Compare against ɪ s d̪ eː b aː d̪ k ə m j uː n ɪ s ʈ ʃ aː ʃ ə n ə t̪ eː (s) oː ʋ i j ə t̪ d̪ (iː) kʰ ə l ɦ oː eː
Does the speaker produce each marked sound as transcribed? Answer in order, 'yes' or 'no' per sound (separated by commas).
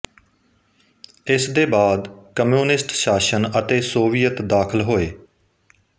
yes, no